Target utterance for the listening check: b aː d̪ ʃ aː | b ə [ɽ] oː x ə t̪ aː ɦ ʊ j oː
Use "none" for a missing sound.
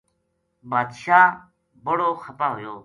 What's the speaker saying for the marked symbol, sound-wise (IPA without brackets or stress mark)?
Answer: ɽ